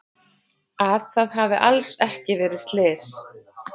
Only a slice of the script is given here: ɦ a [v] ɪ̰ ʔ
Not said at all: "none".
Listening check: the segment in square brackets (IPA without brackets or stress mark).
v